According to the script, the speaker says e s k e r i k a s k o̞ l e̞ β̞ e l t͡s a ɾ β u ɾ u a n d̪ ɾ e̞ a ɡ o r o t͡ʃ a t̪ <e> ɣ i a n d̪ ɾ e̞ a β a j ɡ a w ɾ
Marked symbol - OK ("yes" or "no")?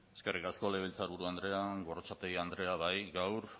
yes